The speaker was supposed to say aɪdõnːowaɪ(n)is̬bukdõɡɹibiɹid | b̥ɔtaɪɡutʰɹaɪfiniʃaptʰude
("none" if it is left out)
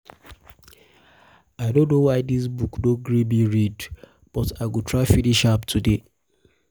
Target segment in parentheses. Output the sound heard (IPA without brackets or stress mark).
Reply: d